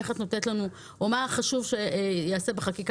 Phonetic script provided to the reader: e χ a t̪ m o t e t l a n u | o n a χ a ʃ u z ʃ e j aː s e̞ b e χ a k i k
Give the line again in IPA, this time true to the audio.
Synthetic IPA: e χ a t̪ n o t e t l a n u | o m a χ a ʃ u v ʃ e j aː s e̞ b e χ a k i k

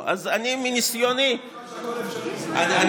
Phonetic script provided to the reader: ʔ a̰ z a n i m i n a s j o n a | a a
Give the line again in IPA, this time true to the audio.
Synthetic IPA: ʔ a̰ z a n i m i n i s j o n i | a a

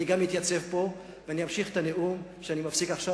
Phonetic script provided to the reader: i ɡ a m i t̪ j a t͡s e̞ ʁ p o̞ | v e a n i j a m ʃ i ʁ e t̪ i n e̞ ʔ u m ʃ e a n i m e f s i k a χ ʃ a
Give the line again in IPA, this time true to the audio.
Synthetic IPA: i ɡ a m i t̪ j a t͡s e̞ v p o̞ | v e a n i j a m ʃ i χ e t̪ a n e̞ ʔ u m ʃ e a n i m a f s i k a χ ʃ a

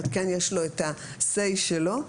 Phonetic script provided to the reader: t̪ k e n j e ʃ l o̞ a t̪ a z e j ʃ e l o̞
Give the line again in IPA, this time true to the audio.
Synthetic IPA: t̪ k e n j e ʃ l o̞ e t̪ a s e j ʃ e l o̞

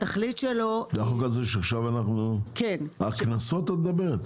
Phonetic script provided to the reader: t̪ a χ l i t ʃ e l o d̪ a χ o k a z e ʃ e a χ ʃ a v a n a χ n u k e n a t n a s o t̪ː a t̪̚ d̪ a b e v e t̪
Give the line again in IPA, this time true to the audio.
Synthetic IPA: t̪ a χ l i t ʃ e l o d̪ a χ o k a z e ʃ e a χ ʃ a v a n a χ n u k e n a k n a s o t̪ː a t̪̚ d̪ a b e ʁ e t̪

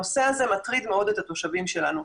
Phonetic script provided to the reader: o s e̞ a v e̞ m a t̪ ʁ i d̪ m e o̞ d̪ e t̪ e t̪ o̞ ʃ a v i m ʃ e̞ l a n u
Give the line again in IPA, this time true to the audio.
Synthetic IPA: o s e̞ a z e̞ m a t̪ ʁ i d̪ m e o̞ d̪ e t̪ a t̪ o̞ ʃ a v i m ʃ e̞ l a n u

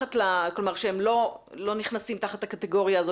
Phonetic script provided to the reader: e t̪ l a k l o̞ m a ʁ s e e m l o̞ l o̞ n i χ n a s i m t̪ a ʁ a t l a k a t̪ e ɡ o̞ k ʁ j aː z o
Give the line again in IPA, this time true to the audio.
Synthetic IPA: a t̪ l a k l o̞ m a ʁ ʃ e e m l o̞ l o̞ n i χ n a s i m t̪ a χ a t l a k a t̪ e ɡ o̞ ʁ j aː z o

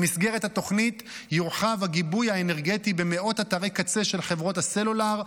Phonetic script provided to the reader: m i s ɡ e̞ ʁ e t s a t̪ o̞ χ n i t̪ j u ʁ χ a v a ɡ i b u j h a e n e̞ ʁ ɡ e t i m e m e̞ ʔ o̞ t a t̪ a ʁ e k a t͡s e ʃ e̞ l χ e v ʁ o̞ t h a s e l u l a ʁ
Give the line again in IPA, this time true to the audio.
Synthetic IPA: m i s ɡ e̞ ʁ e t h a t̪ o̞ χ n i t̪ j u ʁ χ a v a ɡ i b u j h a e n e̞ ʁ ɡ e t i b e m e̞ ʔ o̞ t a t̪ a ʁ e k a t͡s e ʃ e̞ l χ e v ʁ o̞ t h a s e l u l a ʁ

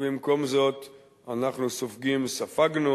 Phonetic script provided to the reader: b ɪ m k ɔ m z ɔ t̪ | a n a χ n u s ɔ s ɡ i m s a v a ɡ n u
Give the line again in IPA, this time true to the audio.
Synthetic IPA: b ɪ m k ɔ m z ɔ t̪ | a n a χ n u s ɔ f ɡ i m s a f a ɡ n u

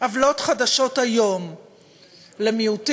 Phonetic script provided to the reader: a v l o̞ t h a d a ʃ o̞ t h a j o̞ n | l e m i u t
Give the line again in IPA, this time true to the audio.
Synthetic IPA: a v l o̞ t χ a d a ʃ o̞ t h a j o̞ m | l e m i u t

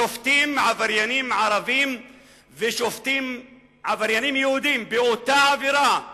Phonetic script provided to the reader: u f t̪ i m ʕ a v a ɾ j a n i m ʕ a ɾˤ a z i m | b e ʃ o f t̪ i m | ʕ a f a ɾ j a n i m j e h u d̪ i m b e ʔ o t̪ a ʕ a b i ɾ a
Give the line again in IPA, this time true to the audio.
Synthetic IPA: o f t̪ i m ʕ a v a ɾ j a n i m ʕ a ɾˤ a v i m | v e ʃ o f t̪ i m | ʕ a v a ɾ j a n i m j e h u d̪ i m b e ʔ o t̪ a ʕ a v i ɾ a

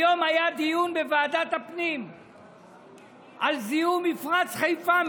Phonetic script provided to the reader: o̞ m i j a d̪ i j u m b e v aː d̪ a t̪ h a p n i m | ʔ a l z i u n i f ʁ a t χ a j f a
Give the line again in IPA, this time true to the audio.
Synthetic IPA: o̞ m a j a d̪ i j u n b e v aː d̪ a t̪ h a p n i m | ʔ a l z i u m i f ʁ a t͡s χ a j f a

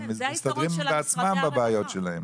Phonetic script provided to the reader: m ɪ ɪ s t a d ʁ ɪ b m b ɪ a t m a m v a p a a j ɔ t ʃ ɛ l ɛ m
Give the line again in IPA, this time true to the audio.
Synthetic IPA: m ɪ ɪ s t a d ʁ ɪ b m b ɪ a t͡s m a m b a b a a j ɔ t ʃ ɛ l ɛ m

